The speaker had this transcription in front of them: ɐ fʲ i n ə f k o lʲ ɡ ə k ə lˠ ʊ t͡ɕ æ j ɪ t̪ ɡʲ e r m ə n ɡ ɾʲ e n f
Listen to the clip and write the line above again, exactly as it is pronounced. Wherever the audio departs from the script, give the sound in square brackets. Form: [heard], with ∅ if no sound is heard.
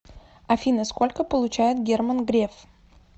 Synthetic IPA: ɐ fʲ i n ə [s] k o lʲ [k] ə [p] ə lˠ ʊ t͡ɕ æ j ɪ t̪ ɡʲ e r m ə n ɡ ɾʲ e [∅] f